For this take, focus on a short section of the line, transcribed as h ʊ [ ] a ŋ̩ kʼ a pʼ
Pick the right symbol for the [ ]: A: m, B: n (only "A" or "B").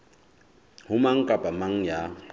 A